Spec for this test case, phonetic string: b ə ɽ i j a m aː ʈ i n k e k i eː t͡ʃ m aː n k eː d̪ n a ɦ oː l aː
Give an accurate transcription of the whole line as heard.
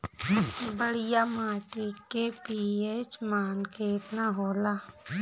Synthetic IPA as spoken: b ə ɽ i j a m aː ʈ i k e p i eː t͡ʃ m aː n k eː t̪ n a ɦ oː l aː